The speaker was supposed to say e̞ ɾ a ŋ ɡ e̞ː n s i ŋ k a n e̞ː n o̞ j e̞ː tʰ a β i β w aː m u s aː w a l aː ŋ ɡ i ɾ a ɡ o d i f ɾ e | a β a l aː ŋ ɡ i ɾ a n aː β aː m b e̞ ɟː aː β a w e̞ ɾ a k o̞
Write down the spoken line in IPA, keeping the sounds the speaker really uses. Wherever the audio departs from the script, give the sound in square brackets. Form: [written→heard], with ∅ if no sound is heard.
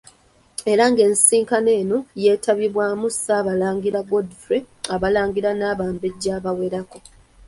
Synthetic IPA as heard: e̞ ɾ a ŋ ɡ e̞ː n s [i→iː] ŋ k a n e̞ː n o̞ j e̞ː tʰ a β i β w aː m u s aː [w→β] a l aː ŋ ɡ i ɾ a ɡ o d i f ɾ e | a β a l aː ŋ ɡ i ɾ a n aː β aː m b e̞ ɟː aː β a w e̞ ɾ a k o̞

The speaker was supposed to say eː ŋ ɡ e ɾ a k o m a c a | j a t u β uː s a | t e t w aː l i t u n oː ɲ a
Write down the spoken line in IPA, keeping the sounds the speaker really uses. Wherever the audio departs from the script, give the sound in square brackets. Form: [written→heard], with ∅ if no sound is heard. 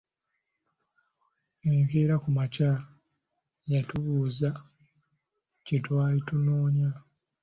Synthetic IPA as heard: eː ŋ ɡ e ɾ a k [o→u] m a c a | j a t u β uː [s→z] a | [t→c] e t w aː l i t u n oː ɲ a

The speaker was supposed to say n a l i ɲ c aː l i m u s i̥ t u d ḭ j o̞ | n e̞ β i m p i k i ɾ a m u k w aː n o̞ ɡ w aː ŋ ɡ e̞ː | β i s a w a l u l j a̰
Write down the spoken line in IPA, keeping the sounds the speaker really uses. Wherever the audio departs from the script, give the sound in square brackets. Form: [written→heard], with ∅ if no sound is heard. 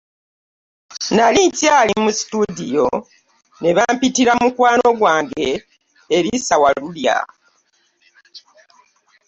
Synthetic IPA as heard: n a l i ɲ c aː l i m u s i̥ t u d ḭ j o̞ | n e̞ β [i→a] m p i [k→t] i ɾ a m u k w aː n o̞ ɡ w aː ŋ ɡ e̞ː | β i s a w a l u l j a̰

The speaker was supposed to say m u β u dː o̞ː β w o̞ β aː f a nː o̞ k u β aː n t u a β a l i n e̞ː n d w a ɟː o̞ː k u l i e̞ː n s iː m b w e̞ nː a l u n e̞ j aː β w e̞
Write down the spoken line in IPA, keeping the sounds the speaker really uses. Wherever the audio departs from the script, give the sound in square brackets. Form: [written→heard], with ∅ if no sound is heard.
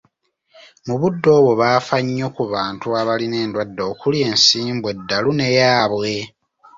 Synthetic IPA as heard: m u β u dː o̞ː β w o̞ β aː f a [nː→ɲː] o̞ k u β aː n t u a β a l i n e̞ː n d w a [ɟː→dː] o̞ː k u l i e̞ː n s iː m b w e̞ [nː→dː] a l u n e̞ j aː β w e̞

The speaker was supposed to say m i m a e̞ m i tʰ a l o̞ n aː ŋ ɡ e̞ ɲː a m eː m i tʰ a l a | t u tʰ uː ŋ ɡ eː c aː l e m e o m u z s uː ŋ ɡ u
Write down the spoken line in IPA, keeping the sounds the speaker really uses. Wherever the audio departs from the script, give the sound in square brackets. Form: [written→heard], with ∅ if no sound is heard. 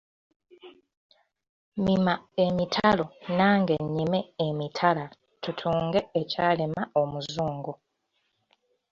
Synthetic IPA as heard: m i m a e̞ m i tʰ a l o̞ n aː ŋ ɡ e̞ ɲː [a→i] m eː m i tʰ a l a | t u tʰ uː ŋ ɡ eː c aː l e m [e→a] o m u z [s→z] uː ŋ ɡ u

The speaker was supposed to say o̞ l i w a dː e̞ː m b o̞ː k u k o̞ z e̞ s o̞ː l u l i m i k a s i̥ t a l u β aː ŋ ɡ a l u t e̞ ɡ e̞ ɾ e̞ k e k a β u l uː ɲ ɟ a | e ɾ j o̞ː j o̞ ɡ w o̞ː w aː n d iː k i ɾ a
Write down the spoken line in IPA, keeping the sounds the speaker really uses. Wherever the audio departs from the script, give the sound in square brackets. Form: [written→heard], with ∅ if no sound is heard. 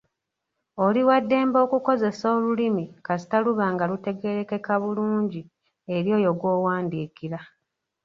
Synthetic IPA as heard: o̞ l i w a dː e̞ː m b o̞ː k u k o̞ z e̞ s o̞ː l u l i m i k a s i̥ t a l u β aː ŋ ɡ a l u t e̞ ɡ e̞ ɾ e̞ k e k a β u l uː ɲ ɟ [a→i] | e ɾ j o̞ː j o̞ ɡ w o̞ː w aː n d iː k i ɾ a

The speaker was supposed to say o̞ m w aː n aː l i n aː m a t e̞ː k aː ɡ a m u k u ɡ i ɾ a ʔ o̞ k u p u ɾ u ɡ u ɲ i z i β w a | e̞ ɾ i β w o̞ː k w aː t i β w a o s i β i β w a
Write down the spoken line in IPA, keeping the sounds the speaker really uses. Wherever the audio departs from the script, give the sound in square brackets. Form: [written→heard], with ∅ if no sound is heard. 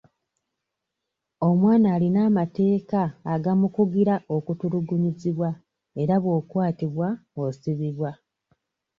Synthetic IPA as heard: o̞ m w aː n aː l i n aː m a t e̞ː k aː ɡ a m u k u ɡ i ɾ a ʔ o̞ k u [p→t] u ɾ u ɡ u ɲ i z i β w a | e̞ ɾ [i→a] β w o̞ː k w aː t i β w a o s i β i β w a

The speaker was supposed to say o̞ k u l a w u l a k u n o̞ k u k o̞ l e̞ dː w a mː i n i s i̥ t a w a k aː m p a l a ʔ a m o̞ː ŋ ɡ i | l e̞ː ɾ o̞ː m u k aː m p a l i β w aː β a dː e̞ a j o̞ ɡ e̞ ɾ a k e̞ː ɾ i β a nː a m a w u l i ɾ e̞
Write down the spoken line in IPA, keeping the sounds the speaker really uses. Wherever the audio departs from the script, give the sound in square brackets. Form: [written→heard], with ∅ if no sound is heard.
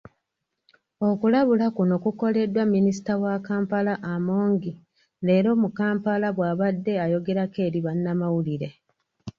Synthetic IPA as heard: o̞ k u l a [w→β] u l a k u n o̞ k u k o̞ l e̞ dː w a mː i n i s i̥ t a w a k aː m p a l a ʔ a m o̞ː ŋ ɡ i | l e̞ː ɾ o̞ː m u k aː m p a l [i→a] β w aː β a dː e̞ a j o̞ ɡ e̞ ɾ a k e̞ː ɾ i β a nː a m a w u l i ɾ e̞

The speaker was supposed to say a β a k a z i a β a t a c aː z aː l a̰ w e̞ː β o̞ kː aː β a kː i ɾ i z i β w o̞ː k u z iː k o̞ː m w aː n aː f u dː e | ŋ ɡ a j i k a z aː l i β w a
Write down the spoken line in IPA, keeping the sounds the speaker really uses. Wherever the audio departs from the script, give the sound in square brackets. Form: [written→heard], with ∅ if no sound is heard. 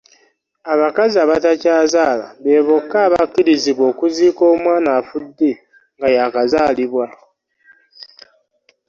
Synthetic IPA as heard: a β a k a z i a β a t a c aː z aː l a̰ [w→β] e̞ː β o̞ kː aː β a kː i ɾ i z i β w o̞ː k u z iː k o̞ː m w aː n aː f u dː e | ŋ ɡ a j [i→a] k a z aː l i β w a

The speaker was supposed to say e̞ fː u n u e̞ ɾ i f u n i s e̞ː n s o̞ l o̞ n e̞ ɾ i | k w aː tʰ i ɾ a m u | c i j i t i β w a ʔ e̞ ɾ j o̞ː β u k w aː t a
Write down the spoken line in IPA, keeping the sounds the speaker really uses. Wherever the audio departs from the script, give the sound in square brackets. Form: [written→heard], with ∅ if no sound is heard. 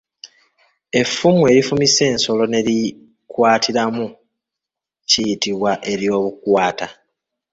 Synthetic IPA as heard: e̞ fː u [n→m] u e̞ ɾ i f u [n→m] i s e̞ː n s o̞ l o̞ n e̞ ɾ i | k w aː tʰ i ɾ a m u | c i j i t i β w a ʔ e̞ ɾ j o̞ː β u k w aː t a

